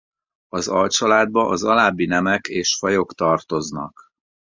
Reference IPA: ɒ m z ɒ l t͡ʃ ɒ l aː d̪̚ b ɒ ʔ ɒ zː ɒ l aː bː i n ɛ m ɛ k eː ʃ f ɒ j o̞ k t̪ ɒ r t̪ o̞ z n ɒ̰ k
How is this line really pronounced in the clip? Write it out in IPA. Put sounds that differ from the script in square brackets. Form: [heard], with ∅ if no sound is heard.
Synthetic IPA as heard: ɒ [∅] z ɒ l t͡ʃ ɒ l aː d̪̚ b ɒ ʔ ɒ [z] ɒ l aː bː i n ɛ m ɛ k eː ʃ f ɒ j o̞ k t̪ ɒ r t̪ o̞ z n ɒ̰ k

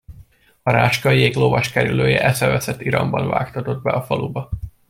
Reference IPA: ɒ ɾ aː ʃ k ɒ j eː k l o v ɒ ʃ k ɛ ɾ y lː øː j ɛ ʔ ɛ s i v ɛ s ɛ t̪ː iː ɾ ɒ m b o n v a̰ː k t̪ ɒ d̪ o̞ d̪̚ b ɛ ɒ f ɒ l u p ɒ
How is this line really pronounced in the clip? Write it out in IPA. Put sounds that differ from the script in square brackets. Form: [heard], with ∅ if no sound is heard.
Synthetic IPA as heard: ɒ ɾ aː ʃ k ɒ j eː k l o v ɒ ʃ k ɛ ɾ y [l] øː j ɛ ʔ ɛ s [ɛ] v ɛ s ɛ t̪ː [i] ɾ ɒ m b [ɒ] n v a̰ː k t̪ ɒ [t̪] o̞ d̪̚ b ɛ ɒ f ɒ l u [b] ɒ

